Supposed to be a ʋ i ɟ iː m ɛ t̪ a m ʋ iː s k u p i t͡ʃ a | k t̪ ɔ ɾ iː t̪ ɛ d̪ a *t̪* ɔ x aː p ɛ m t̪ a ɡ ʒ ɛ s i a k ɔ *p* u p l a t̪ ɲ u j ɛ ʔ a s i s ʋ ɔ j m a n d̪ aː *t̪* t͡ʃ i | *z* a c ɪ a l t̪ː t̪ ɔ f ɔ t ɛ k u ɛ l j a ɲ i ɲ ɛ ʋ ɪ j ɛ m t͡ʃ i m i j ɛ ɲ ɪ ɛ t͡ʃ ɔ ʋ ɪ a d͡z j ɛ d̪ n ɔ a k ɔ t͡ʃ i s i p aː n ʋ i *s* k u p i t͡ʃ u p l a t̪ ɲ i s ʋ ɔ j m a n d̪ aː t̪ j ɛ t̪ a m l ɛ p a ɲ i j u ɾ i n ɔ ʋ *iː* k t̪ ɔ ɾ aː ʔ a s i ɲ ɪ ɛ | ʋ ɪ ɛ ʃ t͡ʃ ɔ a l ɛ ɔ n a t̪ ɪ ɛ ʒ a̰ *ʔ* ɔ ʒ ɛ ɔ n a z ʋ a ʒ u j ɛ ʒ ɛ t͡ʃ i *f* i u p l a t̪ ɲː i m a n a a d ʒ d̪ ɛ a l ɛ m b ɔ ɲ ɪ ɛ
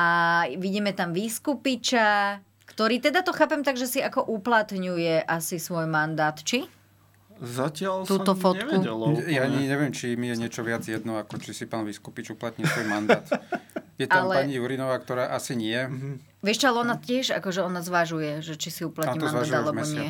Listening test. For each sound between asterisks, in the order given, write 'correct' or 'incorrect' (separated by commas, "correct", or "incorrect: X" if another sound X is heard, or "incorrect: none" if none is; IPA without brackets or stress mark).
correct, incorrect: ʔ, correct, correct, correct, incorrect: aː, incorrect: k, incorrect: s